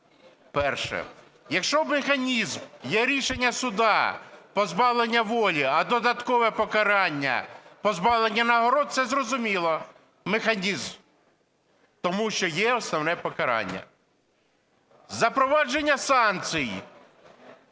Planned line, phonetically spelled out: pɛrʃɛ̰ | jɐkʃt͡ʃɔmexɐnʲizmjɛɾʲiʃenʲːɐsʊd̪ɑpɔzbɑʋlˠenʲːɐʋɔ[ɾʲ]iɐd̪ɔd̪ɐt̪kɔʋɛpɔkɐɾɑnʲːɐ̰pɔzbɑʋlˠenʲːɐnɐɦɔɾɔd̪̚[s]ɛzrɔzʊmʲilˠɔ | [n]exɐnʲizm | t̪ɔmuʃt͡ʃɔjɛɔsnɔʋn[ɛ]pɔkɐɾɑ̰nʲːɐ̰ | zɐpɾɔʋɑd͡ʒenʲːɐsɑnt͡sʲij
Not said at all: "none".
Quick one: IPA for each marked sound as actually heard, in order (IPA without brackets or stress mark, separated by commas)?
lʲ, s, m, ɛ